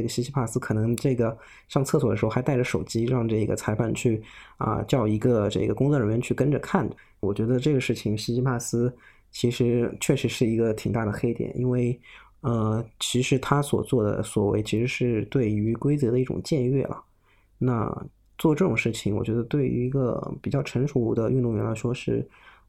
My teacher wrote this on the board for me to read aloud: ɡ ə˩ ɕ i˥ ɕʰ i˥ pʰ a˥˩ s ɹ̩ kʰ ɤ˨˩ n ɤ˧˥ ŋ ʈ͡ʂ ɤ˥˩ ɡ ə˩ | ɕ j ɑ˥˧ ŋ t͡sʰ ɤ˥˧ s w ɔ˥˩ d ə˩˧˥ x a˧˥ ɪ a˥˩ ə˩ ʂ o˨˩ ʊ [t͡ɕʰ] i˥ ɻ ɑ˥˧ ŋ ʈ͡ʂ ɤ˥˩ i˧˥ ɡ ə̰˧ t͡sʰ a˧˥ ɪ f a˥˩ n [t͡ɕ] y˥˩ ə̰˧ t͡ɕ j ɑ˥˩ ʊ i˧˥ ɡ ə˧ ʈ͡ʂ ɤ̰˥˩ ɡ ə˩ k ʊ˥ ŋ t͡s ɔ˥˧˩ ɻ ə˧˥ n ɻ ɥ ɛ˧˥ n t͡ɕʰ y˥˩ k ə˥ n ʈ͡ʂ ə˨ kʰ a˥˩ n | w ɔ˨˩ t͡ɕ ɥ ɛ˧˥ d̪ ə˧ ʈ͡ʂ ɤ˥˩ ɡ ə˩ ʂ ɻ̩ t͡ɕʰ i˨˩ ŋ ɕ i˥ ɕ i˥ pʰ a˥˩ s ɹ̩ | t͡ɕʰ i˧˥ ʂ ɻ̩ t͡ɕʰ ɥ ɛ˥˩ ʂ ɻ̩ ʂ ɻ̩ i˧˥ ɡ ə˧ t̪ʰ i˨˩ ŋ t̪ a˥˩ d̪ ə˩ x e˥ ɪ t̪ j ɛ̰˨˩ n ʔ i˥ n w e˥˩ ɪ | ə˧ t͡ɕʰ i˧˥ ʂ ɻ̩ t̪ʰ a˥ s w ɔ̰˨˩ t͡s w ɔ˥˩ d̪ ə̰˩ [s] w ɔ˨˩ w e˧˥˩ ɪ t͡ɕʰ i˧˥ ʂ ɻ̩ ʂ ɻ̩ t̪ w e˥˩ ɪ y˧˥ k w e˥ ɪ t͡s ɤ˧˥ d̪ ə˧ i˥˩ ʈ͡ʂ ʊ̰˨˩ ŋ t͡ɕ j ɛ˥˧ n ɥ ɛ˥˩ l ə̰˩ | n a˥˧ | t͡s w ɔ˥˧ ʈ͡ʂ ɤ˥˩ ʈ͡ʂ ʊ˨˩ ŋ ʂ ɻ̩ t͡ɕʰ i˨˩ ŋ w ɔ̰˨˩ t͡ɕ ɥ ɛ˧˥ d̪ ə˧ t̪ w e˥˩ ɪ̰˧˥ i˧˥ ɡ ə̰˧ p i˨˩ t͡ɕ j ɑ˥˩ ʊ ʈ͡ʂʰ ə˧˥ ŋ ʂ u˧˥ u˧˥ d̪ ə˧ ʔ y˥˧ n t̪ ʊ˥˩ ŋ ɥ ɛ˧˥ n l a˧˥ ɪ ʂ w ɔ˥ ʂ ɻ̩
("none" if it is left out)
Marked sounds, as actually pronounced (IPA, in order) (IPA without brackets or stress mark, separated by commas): t͡ɕ, t͡ɕʰ, s